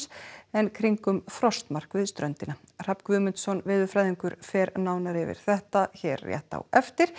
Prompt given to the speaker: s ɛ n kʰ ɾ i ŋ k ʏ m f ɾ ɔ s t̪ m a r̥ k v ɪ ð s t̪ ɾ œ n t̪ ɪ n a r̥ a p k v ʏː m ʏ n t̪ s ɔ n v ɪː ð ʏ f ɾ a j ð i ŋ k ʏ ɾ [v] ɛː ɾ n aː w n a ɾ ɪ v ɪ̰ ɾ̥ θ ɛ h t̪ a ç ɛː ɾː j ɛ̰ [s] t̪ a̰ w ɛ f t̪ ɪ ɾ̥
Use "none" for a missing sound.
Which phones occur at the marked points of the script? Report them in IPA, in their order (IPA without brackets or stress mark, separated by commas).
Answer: f, h